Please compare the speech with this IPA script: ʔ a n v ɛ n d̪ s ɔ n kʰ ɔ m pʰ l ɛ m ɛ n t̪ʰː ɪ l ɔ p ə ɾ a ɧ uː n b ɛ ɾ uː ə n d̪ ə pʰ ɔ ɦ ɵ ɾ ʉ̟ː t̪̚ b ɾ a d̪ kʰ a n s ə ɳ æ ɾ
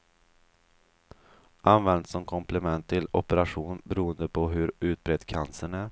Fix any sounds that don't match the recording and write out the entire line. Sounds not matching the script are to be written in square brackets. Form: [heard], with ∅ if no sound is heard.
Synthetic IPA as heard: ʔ a n v ɛ n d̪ s ɔ [m] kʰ ɔ m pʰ l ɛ m ɛ n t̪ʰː ɪ l ɔ p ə ɾ a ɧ uː n b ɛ ɾ uː ə n d̪ ə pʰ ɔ ɦ ɵ ɾ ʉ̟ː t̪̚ b ɾ [ɛ] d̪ kʰ a n s ə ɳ æ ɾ